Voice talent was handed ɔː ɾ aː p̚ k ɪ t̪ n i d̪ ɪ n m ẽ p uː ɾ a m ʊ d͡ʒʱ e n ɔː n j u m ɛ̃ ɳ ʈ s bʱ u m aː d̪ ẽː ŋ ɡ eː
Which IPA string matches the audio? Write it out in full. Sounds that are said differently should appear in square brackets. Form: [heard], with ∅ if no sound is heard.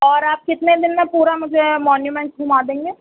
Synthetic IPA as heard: ɔː ɾ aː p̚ k ɪ t̪ n [e] d̪ ɪ n m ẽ p uː ɾ a m ʊ d͡ʒʱ e [m] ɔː n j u m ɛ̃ ɳ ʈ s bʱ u m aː d̪ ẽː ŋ ɡ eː